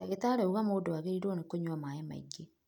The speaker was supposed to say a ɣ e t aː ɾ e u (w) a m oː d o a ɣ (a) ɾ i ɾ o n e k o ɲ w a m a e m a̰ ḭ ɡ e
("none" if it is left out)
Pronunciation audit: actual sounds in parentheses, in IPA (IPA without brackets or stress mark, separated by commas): ɣ, e